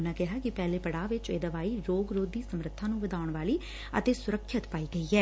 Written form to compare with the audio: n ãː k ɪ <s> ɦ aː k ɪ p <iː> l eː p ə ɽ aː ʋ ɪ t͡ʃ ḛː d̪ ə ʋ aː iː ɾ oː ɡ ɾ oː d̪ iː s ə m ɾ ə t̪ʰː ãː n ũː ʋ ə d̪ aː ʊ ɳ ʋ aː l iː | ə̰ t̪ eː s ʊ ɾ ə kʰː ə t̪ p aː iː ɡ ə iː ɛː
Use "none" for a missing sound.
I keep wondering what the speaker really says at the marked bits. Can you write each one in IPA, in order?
none, ɛː

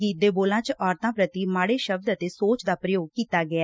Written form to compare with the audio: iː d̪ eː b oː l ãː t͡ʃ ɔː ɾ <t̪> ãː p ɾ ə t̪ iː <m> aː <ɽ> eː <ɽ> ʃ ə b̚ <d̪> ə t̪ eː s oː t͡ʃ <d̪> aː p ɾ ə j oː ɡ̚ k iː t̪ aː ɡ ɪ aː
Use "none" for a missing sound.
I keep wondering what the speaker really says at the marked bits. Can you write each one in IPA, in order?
t̪, m, ɽ, none, d̪, d̪

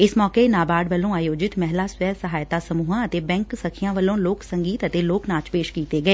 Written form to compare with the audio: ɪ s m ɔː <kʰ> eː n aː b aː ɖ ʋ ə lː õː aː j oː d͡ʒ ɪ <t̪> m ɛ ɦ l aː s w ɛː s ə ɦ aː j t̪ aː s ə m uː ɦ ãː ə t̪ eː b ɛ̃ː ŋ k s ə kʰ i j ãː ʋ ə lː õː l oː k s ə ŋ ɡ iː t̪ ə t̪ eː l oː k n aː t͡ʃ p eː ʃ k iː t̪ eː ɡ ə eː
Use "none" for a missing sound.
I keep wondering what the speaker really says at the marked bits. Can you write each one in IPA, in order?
k, t̪

